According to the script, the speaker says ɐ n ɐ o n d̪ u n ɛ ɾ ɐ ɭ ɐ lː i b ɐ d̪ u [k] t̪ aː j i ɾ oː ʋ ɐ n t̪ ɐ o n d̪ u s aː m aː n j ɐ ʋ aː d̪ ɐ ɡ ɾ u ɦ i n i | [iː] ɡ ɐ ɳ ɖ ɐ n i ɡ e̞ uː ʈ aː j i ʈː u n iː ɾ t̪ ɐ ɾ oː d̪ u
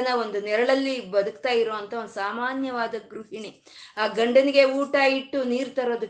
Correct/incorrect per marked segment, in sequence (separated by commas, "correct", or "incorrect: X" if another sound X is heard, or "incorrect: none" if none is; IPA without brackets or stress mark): correct, incorrect: aː